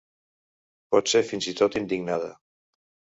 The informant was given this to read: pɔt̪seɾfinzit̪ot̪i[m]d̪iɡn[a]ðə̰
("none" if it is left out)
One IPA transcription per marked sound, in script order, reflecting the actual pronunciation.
n, a

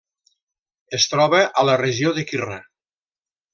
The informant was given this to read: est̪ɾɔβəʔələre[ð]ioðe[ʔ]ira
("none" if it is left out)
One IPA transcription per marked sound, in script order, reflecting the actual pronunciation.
ʒ, k

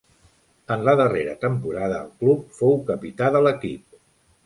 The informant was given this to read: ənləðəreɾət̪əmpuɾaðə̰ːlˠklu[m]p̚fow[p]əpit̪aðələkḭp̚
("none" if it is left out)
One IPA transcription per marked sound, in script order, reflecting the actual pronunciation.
none, k

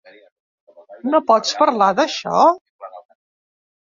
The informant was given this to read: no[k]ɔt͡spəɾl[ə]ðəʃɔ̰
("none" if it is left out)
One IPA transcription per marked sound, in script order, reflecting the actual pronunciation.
p, a

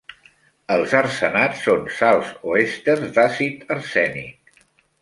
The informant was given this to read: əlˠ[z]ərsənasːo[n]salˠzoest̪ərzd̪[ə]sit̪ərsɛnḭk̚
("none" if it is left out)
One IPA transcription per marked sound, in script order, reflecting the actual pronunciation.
z, n, a

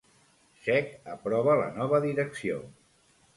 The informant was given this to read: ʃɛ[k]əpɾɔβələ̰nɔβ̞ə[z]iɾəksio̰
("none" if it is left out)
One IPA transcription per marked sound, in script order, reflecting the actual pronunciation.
k, ð

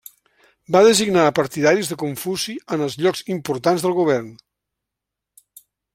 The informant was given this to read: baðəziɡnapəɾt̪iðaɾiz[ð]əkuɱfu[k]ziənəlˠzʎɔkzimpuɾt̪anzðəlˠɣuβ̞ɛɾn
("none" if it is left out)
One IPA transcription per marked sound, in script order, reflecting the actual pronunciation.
ð, none

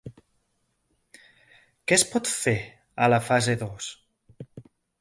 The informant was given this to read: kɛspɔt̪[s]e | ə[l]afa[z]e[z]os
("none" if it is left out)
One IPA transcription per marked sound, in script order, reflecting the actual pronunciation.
f, l, z, ð

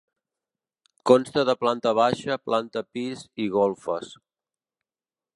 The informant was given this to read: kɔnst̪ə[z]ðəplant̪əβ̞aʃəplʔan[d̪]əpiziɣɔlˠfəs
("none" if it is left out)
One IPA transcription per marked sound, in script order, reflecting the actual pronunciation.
none, t̪

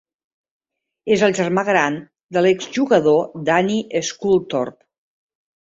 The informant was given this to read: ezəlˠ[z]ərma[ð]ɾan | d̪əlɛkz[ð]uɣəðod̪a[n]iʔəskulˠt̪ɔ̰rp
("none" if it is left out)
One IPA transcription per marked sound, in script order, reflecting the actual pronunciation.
ʒ, ɣ, ʒ, n

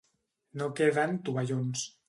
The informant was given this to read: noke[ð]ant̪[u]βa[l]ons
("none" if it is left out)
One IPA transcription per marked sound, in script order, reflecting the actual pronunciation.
ð, u, ʎ

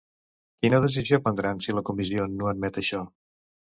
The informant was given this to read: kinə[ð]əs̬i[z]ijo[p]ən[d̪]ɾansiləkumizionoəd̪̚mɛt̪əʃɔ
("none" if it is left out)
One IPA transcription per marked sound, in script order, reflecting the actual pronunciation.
ð, z, p, d̪

